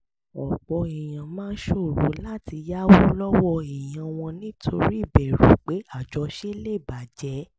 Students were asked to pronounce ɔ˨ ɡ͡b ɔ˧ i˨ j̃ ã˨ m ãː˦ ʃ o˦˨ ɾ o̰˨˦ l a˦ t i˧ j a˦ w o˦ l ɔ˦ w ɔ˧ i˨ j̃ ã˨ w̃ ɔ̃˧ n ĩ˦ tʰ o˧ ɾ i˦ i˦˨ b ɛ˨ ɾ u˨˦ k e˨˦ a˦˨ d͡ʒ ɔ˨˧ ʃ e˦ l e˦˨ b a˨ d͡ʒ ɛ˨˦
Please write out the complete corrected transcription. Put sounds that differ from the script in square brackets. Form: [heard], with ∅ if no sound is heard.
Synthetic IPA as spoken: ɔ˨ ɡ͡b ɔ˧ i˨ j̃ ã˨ m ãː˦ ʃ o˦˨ ɾ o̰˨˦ l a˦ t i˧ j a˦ w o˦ l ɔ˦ w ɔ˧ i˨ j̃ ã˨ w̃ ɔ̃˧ n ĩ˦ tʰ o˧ ɾ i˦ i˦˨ b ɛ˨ ɾ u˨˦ [k͡p] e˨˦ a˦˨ d͡ʒ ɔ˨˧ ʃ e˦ l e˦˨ b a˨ d͡ʒ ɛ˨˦